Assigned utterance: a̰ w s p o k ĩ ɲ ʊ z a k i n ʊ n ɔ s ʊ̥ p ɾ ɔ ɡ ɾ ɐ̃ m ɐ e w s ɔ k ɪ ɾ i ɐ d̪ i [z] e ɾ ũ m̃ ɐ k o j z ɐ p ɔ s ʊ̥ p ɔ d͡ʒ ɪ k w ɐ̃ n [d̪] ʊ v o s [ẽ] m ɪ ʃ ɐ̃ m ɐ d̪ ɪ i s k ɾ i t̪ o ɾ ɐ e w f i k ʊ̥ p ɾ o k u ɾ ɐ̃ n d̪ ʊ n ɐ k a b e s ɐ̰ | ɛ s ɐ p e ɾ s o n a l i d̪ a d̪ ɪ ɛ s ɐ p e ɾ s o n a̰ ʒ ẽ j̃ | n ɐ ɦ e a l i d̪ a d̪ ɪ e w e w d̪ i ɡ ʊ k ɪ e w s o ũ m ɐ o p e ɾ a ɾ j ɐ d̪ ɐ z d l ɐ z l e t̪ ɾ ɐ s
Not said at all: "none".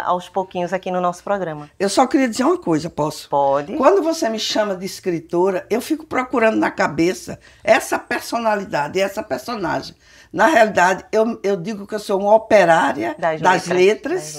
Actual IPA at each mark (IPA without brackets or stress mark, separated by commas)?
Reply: z, d̪, e